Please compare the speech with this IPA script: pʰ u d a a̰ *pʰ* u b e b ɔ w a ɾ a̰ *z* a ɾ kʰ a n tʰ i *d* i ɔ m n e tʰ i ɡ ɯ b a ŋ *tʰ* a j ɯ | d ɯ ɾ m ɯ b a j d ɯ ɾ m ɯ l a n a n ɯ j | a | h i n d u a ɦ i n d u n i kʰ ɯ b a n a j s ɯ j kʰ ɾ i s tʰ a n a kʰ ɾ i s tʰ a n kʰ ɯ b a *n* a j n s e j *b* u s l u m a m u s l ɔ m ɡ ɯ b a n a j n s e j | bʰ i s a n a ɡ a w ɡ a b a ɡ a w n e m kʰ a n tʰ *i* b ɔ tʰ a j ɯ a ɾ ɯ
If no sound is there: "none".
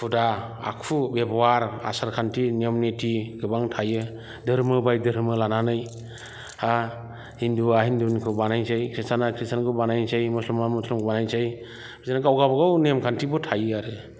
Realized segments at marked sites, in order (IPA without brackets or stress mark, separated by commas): kʰ, s, n, tʰ, n, m, i